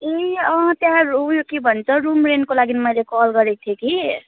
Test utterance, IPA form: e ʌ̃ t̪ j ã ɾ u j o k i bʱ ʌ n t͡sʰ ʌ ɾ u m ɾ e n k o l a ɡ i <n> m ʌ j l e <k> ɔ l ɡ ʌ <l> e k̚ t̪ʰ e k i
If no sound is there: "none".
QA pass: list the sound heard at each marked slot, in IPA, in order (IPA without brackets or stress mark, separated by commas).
n, k, ɾ